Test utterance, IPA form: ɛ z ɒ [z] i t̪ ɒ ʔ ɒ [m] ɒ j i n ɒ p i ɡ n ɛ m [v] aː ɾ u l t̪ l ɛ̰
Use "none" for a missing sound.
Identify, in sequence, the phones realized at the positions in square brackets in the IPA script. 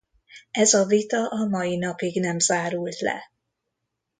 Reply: v, m, z

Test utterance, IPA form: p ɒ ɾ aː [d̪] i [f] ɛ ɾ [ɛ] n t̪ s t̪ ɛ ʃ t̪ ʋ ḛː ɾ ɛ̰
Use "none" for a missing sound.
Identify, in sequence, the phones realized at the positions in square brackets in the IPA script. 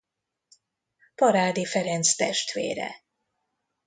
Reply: d̪, f, ɛ

